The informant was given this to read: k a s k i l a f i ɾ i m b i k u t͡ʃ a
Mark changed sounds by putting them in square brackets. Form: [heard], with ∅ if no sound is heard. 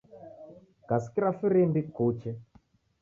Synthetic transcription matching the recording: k a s k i [ɾ] a f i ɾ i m b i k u t͡ʃ [ɛ]

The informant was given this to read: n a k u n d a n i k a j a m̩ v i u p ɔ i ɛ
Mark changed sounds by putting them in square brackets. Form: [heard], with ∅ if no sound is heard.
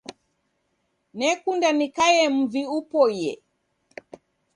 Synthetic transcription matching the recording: n [ɛ] k u n d a n i k a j [ɛ] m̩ v i u p ɔ [j] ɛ

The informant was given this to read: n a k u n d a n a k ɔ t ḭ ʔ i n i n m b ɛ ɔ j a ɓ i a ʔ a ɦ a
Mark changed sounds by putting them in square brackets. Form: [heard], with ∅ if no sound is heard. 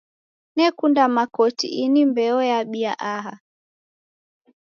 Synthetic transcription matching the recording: n [ɛ] k u n d a [m] a k ɔ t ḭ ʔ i n i [∅] m b ɛ ɔ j a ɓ i a ʔ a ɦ a

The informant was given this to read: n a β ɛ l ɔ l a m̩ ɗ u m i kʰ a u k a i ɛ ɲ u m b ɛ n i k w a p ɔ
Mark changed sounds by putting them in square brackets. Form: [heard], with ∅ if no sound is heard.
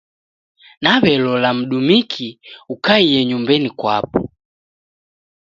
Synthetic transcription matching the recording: n a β ɛ l ɔ l a m̩ ɗ u m i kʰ [i] u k a i ɛ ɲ u m b ɛ n i k w a p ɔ

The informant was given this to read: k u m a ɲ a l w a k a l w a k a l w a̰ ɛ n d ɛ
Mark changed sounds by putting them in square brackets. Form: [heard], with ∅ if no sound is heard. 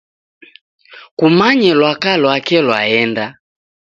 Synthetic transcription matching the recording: k u m a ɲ [ɛ] l w a k a l w a k [ɛ] l w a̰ ɛ n d [a]

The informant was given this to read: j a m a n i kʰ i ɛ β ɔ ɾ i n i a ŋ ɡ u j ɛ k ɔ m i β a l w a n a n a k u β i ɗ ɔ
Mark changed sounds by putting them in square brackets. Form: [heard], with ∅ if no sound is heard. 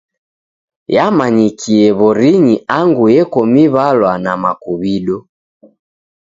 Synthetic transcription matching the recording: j a m a [ɲ] i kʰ i ɛ β ɔ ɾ i [ɲ] i a ŋ ɡ u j ɛ k ɔ m i β a l w a n a [m] a k u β i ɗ ɔ

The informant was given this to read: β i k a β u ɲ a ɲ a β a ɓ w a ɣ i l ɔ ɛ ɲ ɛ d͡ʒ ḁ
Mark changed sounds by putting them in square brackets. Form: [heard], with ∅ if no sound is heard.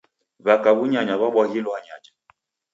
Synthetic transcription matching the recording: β [a] k a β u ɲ a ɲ a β a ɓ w a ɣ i l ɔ [a] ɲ [a] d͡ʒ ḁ

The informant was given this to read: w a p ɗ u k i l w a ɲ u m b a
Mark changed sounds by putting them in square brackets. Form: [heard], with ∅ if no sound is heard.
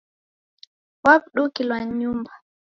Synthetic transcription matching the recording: w a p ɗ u k i l w a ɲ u m b a

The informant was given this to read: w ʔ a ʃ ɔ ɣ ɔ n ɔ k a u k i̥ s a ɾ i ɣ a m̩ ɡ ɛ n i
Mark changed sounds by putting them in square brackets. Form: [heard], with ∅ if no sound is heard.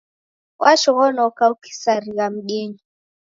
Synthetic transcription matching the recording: w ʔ a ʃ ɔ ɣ ɔ n ɔ k a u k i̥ s a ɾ i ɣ a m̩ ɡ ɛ [ɲ] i

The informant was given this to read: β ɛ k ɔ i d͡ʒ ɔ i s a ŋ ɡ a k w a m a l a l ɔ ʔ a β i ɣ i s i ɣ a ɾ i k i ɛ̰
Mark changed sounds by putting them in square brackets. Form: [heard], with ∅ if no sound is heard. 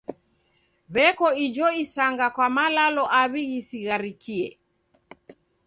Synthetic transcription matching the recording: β ɛ k ɔ i d͡ʒ ɔ i s a ŋ ɡ a k w a m a l a l ɔ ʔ a β i ɣ i s i ɣ a ɾ i k i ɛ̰

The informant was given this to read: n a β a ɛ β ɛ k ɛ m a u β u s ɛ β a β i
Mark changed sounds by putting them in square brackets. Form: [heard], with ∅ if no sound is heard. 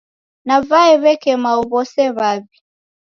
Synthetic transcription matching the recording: n a [v] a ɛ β ɛ k ɛ m a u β [ɔ] s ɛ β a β i

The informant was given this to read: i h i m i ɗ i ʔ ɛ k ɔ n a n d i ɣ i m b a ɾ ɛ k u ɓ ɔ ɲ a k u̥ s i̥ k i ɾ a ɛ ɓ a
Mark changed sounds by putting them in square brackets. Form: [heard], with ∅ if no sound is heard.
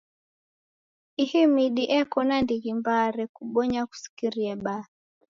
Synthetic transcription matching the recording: i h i m i ɗ i ʔ ɛ k ɔ n a n d i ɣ i m b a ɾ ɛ k u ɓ ɔ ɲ a k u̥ s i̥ k i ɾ [i] ɛ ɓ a

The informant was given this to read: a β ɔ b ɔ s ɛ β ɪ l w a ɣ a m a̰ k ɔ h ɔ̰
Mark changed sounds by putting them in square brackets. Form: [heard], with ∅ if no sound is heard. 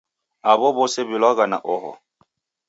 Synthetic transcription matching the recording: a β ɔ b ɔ s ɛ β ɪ l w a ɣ a [n] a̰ [ʔ] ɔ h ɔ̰

